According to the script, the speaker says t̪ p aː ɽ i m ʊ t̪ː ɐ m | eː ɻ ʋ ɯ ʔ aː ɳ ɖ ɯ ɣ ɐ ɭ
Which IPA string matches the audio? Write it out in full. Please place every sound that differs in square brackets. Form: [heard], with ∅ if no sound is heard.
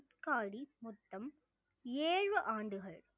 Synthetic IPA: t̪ [k] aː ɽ i m ʊ t̪ː ɐ m | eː ɻ ʋ ɯ ʔ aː ɳ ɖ ɯ ɣ ɐ ɭ